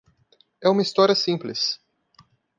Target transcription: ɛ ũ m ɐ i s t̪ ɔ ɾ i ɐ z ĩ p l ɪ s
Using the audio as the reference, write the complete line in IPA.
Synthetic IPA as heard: ɛ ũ m ɐ i s t̪ ɔ ɾ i ɐ s ĩ p l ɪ s